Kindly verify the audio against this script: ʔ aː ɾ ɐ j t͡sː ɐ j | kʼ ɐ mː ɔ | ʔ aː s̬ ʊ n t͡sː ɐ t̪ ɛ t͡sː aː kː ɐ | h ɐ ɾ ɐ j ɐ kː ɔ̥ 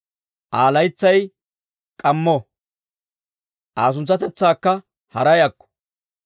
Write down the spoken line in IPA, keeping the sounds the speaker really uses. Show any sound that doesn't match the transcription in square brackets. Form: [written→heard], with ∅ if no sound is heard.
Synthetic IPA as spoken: ʔ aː [ɾ→l] ɐ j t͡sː ɐ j | kʼ ɐ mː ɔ | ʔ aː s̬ ʊ n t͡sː ɐ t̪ ɛ t͡sː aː kː ɐ | h ɐ ɾ ɐ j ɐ kː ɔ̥

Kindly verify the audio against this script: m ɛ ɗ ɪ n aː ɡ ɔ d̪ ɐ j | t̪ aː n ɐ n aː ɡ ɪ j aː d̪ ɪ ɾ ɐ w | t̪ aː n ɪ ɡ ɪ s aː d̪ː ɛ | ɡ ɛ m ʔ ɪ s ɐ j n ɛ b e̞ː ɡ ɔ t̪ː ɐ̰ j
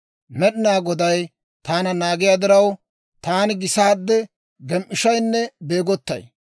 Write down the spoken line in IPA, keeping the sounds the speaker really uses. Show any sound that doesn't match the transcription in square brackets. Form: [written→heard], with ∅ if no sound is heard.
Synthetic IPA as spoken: m ɛ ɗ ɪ n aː ɡ ɔ d̪ ɐ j | t̪ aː n ɐ n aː ɡ ɪ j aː d̪ ɪ ɾ ɐ w | t̪ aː n ɪ ɡ ɪ s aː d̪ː ɛ | ɡ ɛ m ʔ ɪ [s→ʃ] ɐ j [n→nː] ɛ b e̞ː ɡ ɔ t̪ː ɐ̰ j

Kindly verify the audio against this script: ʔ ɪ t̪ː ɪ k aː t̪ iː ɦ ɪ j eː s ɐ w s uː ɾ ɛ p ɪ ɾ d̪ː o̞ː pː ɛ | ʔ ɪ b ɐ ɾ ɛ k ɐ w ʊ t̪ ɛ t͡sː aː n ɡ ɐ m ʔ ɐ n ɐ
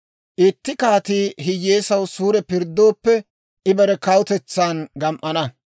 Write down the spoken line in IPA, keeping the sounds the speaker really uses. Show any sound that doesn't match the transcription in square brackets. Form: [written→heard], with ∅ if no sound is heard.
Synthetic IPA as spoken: ʔ ɪ t̪ː ɪ k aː t̪ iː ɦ ɪ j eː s ɐ w s uː ɾ ɛ p ɪ ɾ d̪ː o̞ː pː ɛ | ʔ ɪ b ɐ ɾ ɛ k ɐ w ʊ t̪ ɛ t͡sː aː n ɡ ɐ m ʔ ɐ n ɐ

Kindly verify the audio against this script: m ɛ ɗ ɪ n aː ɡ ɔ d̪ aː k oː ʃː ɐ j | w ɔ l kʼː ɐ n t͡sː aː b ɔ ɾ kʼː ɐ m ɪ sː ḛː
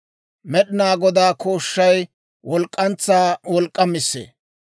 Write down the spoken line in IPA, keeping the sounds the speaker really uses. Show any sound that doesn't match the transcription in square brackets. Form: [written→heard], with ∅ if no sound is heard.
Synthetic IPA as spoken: m ɛ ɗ ɪ n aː ɡ ɔ d̪ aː k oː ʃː ɐ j | w ɔ l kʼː ɐ n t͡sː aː [b→w] ɔ [ɾ→l] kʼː ɐ m ɪ sː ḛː

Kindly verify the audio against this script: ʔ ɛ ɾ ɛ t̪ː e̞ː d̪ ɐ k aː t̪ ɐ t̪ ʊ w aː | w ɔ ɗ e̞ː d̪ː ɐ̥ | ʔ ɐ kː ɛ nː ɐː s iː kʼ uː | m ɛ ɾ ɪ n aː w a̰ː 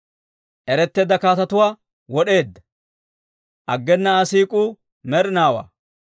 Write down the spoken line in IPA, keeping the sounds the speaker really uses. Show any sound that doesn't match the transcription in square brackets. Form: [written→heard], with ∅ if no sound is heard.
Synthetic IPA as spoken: ʔ ɛ ɾ ɛ t̪ː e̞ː d̪ ɐ k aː t̪ ɐ t̪ ʊ w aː | w ɔ ɗ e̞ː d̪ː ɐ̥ | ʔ ɐ [kː→ɡː] ɛ nː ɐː s iː kʼ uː | m ɛ ɾ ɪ n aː w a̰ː

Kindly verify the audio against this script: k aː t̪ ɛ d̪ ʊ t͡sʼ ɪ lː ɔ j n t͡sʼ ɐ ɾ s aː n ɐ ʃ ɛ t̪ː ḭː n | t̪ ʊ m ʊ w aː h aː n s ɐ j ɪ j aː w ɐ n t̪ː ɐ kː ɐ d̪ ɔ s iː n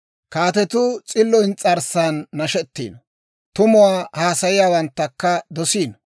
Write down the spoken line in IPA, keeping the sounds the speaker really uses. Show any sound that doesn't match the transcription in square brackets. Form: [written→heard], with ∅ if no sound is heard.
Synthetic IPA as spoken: k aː t̪ ɛ [d̪→t̪] ʊ t͡sʼ ɪ lː ɔ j n t͡sʼ ɐ ɾ s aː [n→nː] ɐ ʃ ɛ t̪ː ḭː n | t̪ ʊ m ʊ w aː h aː [n→∅] s ɐ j ɪ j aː w ɐ n t̪ː ɐ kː ɐ d̪ ɔ s iː n

